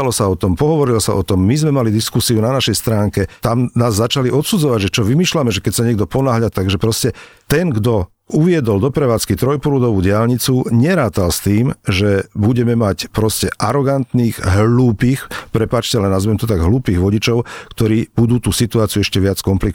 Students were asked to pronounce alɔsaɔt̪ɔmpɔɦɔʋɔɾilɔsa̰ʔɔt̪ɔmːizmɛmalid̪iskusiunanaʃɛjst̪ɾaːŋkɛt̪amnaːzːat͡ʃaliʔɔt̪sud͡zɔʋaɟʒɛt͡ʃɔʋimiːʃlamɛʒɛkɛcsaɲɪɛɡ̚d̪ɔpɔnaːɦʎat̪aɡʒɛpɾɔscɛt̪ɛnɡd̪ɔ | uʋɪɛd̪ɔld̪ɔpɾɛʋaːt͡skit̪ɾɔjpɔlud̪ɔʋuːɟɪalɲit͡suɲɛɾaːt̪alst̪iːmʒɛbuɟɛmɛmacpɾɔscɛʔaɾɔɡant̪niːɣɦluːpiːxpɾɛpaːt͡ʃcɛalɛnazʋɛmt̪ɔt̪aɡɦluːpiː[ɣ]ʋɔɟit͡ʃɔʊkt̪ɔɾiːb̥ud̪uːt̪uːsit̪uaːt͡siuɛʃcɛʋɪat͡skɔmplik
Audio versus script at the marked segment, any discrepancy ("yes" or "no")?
no